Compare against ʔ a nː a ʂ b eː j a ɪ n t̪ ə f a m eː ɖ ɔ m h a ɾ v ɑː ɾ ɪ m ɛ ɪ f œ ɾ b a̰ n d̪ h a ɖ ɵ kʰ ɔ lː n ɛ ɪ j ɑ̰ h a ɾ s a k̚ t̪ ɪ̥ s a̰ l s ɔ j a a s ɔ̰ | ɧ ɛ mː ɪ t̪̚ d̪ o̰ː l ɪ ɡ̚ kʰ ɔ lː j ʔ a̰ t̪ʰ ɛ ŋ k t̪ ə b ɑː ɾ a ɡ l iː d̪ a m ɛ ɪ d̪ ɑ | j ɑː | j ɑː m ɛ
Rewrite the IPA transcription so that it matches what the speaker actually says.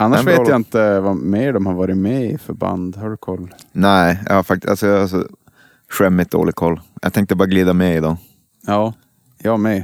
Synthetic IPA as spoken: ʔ a nː a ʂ v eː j a ɪ n t̪ ə v a m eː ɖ ɔ m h a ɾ v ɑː ɾ ɪ m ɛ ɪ f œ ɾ b a̰ n d̪ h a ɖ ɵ kʰ ɔ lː n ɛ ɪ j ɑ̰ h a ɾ f a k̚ t̪ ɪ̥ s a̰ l s ɔ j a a s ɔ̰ | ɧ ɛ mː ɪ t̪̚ d̪ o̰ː l ɪ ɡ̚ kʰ ɔ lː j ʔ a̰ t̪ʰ ɛ ŋ k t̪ ə b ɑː ɾ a ɡ l iː d̪ a m ɛ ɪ d̪ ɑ | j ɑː | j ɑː m ɛ